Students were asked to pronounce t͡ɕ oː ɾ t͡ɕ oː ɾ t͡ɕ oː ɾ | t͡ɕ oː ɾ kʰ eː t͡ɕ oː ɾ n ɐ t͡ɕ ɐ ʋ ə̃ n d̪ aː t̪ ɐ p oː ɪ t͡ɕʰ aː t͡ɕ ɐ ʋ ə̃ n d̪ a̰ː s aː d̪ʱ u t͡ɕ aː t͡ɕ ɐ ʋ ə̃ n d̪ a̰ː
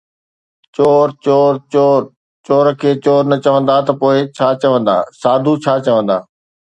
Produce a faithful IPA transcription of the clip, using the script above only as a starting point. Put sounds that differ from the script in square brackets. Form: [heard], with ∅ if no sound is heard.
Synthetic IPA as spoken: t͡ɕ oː ɾ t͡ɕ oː ɾ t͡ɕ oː ɾ | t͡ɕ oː ɾ kʰ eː t͡ɕ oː ɾ n ɐ t͡ɕ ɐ ʋ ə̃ n d̪ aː t̪ ɐ p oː ɪ t͡ɕʰ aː t͡ɕ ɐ ʋ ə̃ n d̪ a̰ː s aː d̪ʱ u [t͡ɕʰ] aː t͡ɕ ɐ ʋ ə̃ n d̪ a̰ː